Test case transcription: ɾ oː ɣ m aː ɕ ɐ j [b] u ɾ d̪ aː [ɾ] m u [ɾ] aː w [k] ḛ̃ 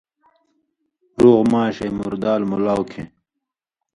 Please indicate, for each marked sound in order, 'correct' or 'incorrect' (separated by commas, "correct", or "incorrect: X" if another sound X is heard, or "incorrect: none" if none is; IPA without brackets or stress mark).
incorrect: m, incorrect: l, incorrect: l, incorrect: kʰ